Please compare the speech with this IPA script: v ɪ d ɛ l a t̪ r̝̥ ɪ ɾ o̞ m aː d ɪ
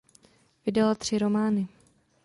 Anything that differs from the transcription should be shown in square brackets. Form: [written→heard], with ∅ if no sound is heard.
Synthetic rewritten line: v ɪ d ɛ l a t̪ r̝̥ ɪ ɾ o̞ m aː [d→n] ɪ